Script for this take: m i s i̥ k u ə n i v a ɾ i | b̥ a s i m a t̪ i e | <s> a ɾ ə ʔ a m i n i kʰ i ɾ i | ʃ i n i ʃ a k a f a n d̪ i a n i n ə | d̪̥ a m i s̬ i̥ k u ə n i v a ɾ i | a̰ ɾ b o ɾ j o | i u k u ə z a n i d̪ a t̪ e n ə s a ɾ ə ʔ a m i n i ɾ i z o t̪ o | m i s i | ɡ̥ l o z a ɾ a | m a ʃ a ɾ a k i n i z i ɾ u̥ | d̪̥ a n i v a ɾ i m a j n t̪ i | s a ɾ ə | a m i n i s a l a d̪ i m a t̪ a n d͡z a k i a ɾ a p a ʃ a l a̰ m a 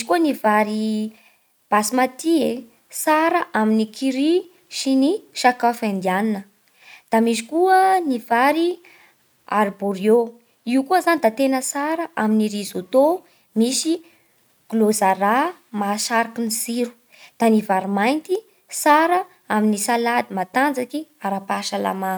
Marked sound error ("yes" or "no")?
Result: no